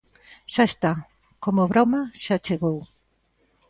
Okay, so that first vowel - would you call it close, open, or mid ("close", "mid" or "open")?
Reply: open